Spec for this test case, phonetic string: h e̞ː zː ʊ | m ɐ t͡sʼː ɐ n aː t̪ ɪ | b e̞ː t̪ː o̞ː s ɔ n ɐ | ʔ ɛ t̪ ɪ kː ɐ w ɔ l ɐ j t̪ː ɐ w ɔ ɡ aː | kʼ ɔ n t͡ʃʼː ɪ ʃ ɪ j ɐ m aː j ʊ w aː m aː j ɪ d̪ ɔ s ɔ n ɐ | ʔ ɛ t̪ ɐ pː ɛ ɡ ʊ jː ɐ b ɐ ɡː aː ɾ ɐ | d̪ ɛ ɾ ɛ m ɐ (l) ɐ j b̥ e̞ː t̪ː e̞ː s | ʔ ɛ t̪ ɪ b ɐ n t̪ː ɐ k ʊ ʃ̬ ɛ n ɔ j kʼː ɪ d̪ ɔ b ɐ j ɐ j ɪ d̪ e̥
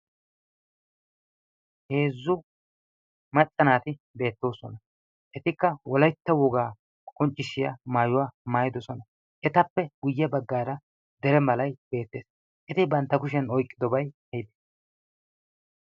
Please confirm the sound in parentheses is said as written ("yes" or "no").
yes